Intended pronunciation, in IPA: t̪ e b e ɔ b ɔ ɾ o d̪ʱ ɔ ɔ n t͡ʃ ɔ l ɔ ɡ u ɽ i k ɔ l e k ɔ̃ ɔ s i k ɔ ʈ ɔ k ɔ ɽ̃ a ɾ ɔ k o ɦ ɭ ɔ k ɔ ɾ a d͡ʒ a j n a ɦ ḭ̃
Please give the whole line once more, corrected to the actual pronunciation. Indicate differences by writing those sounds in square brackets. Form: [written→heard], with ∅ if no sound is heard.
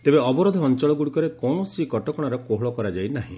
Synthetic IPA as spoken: t̪ e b e ɔ b ɔ ɾ o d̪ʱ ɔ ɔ n t͡ʃ ɔ [l→ɭ] ɔ ɡ u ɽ i k ɔ [l→ɾ] e k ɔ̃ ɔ s i k ɔ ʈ ɔ k ɔ ɽ̃ a ɾ ɔ k o ɦ ɭ ɔ k ɔ ɾ a d͡ʒ a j n a ɦ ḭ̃